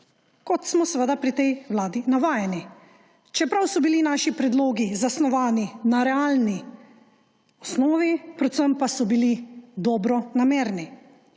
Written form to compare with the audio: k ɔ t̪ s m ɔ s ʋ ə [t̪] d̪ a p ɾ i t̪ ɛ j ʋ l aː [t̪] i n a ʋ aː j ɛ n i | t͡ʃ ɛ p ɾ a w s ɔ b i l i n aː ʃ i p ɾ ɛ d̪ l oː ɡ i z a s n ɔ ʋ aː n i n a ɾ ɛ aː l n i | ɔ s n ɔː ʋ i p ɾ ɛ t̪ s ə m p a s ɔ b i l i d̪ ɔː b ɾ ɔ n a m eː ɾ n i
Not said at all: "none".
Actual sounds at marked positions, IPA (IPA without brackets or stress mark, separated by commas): none, d̪